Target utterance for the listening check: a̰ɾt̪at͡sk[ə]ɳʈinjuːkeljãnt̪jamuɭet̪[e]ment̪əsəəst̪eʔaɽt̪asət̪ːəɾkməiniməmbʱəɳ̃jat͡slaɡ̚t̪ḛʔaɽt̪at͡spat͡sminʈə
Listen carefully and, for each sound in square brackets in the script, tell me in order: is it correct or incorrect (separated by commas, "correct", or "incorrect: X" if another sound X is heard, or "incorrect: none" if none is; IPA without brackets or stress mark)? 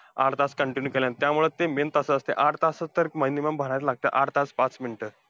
correct, correct